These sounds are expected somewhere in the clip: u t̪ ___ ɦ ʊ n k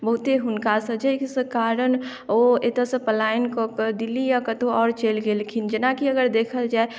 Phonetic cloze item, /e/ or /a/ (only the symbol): e